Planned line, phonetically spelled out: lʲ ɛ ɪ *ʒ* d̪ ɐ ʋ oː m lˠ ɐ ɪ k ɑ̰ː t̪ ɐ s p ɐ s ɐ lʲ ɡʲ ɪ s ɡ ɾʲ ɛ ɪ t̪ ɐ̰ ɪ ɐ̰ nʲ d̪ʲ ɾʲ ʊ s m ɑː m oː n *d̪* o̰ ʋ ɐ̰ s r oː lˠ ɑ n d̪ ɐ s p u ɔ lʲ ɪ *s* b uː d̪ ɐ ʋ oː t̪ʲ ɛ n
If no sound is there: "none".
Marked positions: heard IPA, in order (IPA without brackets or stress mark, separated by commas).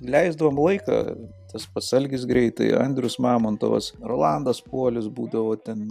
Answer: z, t̪, s